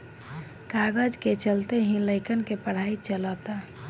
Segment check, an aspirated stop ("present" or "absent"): absent